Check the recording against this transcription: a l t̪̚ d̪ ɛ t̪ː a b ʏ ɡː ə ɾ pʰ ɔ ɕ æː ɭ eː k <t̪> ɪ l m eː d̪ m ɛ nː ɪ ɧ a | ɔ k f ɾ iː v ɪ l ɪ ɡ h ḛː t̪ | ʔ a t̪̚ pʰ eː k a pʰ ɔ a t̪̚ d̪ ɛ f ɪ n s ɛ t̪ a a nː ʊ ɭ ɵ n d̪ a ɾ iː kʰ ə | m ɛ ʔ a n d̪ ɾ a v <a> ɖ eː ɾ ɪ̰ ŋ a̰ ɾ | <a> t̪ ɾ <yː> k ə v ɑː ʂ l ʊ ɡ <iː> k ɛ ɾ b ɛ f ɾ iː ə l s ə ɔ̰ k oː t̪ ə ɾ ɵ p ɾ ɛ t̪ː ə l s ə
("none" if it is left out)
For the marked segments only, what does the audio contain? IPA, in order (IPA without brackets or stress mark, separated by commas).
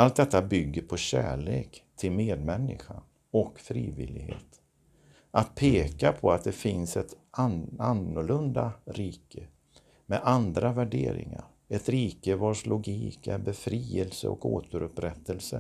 t̪ʰ, æ, ɛ, iː, iː